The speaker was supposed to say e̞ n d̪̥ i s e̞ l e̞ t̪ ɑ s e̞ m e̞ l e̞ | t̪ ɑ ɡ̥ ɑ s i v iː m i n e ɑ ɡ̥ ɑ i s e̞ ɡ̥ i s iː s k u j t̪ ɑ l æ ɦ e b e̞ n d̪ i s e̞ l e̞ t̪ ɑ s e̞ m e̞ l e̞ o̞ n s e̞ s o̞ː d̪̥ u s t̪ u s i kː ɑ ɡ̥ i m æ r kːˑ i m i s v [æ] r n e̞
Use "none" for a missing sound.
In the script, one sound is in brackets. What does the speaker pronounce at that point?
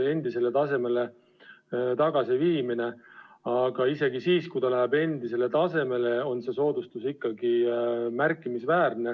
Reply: æː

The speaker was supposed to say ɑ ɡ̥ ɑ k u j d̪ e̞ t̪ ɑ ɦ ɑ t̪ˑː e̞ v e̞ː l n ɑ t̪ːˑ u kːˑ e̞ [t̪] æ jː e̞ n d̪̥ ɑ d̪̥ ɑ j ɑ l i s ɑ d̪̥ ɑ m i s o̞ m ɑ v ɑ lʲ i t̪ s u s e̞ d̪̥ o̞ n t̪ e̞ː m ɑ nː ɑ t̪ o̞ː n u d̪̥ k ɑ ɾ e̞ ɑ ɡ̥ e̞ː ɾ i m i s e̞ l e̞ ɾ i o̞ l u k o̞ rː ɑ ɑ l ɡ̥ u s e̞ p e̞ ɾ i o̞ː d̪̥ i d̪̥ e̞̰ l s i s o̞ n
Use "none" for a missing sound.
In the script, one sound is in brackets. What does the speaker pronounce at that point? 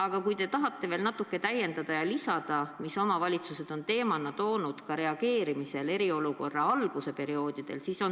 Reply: t̪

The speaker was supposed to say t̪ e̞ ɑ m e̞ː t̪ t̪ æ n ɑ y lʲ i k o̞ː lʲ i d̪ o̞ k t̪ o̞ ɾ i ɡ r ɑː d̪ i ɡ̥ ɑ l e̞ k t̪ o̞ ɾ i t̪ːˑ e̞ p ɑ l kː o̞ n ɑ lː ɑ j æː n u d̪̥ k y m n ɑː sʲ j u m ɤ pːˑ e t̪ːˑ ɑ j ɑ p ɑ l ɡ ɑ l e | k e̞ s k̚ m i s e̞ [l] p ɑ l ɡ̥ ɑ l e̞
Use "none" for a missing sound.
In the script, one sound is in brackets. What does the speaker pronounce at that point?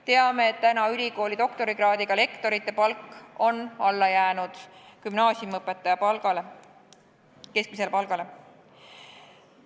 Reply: l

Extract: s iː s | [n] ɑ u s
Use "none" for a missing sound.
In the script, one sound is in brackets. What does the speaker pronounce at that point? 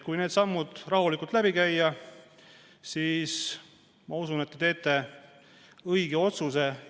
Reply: m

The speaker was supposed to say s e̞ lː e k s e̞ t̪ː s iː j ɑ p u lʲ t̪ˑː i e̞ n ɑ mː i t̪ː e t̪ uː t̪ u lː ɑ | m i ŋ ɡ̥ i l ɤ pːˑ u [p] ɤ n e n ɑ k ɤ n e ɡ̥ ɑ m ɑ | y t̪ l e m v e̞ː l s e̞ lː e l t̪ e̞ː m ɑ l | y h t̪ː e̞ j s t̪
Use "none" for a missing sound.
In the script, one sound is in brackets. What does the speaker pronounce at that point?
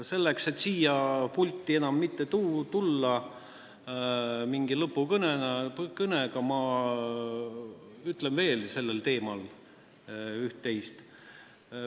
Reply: k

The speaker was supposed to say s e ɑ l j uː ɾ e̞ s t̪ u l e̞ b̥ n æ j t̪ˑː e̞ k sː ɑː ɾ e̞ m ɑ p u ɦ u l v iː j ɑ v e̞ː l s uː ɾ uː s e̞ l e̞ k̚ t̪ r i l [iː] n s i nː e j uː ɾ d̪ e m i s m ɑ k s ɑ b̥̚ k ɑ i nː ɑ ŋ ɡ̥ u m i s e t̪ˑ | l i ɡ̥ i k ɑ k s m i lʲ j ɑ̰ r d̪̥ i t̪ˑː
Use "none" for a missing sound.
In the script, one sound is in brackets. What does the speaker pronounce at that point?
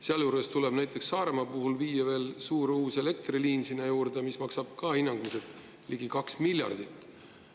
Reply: iː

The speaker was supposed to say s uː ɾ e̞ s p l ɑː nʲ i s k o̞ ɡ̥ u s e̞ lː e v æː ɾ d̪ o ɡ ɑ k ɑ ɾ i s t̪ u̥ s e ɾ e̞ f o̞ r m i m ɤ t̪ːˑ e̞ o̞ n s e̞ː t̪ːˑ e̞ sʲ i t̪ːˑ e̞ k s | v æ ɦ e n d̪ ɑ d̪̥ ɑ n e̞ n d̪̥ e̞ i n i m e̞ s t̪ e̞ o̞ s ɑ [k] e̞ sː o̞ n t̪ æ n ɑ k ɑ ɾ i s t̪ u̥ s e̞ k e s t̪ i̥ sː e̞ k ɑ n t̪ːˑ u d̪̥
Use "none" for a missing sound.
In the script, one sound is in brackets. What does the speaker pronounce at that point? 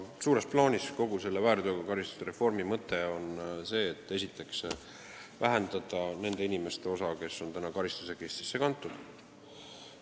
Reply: k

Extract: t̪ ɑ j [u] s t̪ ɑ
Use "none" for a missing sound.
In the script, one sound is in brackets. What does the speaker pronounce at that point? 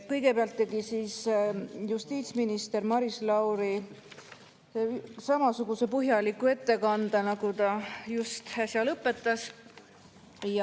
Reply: u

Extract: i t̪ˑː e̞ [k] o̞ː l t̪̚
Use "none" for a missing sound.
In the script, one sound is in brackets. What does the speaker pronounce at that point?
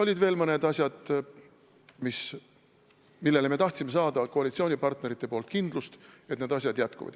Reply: p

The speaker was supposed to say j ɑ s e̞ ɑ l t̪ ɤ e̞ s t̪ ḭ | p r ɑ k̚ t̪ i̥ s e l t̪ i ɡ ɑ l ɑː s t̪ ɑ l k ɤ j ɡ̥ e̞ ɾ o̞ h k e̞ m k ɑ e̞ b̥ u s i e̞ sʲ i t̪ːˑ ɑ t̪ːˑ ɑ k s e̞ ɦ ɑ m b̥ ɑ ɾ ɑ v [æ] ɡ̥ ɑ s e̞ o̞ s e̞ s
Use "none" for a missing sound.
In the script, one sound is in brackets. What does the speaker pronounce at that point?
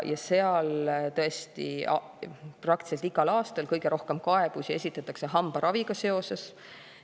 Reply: i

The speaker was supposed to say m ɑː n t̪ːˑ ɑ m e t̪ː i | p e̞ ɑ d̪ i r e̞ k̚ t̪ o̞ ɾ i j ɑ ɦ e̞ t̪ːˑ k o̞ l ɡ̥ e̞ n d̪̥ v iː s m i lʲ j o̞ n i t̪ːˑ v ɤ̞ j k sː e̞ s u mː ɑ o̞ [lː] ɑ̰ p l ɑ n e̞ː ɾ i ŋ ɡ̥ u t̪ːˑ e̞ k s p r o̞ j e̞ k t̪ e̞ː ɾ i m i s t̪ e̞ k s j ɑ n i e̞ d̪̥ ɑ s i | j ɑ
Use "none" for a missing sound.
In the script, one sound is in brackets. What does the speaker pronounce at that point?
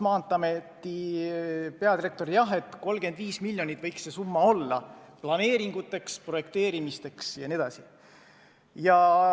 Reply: lː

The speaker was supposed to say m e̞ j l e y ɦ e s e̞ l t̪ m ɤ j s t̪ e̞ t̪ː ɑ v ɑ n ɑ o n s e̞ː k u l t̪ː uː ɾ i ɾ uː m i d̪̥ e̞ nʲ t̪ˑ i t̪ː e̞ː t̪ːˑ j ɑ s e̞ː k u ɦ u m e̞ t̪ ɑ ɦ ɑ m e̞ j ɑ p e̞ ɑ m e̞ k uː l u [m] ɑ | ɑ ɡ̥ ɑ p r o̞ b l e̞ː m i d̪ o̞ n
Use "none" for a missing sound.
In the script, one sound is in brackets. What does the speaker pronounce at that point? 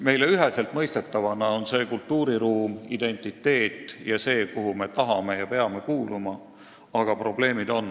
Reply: m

